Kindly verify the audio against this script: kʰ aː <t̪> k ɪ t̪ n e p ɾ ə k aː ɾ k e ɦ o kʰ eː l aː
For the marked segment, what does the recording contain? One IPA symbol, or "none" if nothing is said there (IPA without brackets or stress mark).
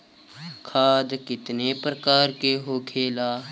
d̪